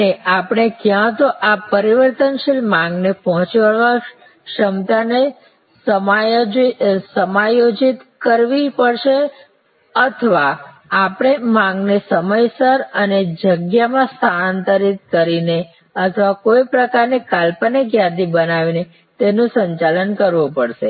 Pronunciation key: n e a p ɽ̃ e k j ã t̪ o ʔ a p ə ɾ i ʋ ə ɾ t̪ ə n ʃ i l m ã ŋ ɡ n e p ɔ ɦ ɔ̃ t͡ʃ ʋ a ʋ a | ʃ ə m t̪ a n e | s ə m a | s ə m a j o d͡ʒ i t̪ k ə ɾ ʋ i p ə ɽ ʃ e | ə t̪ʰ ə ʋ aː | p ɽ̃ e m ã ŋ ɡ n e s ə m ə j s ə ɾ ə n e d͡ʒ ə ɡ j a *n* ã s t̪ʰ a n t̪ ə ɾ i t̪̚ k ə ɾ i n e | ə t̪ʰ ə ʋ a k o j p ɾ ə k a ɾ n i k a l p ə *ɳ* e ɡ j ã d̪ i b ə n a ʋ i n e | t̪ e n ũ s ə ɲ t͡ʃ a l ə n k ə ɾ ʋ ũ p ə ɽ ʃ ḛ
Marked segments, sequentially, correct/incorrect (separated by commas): incorrect, incorrect